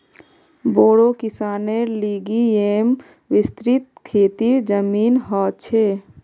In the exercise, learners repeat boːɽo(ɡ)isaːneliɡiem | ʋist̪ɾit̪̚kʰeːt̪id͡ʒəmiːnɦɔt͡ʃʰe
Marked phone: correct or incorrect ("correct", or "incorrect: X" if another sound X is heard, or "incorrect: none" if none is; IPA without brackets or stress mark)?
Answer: incorrect: k